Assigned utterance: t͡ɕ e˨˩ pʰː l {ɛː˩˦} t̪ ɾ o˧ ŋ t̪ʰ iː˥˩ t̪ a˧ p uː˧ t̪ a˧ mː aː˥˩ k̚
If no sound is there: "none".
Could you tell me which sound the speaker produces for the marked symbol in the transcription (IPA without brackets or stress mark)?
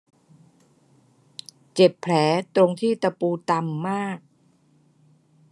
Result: ɛː˩˦